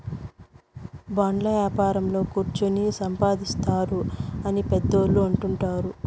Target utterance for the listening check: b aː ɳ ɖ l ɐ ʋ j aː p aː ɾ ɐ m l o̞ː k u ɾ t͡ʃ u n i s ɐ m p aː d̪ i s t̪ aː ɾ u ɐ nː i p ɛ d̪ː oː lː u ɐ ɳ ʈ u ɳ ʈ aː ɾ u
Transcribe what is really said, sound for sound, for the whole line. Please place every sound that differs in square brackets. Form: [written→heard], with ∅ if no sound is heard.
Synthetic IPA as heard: b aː ɳ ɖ l ɐ ʋ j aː p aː ɾ ɐ m l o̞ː k u ɾ t͡ʃ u n i s ɐ m p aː d̪ i s t̪ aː ɾ u ɐ [nː→n] i p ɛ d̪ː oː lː u ɐ ɳ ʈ u ɳ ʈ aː ɾ u